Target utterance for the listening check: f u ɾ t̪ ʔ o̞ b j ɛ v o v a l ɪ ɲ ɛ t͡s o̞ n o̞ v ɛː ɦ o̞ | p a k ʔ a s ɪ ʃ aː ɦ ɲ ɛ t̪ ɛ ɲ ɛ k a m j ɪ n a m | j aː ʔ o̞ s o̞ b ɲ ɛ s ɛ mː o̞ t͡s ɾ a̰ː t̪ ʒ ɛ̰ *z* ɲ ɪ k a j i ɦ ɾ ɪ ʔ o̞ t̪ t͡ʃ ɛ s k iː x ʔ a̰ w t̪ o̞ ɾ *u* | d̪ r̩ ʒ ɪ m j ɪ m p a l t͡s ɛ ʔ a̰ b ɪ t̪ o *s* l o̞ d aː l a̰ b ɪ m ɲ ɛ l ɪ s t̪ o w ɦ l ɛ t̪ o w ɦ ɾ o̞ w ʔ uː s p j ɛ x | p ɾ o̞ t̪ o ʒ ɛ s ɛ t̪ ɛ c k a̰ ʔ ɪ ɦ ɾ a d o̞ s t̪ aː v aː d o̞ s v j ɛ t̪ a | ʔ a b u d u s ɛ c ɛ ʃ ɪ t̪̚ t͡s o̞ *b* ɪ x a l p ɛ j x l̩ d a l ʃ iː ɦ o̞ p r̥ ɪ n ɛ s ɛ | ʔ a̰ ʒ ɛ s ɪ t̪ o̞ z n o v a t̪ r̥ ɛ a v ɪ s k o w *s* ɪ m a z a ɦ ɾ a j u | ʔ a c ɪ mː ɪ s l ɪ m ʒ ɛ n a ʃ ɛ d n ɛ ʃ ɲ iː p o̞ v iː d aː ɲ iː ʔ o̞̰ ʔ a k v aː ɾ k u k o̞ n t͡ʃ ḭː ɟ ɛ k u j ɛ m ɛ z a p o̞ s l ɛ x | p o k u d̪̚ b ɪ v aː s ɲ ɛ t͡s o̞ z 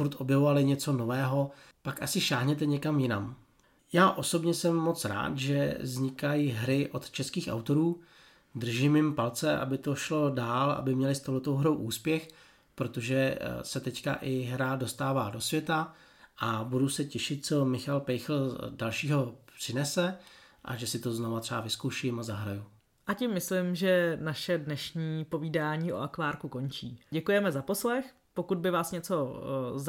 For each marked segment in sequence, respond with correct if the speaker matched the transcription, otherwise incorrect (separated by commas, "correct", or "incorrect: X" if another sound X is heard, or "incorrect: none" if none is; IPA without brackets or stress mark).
correct, incorrect: uː, incorrect: ʃ, incorrect: m, incorrect: ʃ